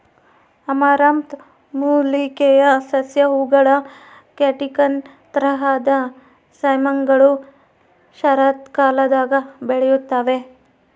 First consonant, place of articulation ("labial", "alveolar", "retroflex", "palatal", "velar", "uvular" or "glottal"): labial